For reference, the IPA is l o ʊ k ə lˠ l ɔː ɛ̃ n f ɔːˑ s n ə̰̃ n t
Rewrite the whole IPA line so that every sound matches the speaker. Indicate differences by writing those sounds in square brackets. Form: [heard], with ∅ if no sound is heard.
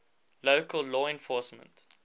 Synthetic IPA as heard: l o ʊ k ə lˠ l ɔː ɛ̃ n f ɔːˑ s [m] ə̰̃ n t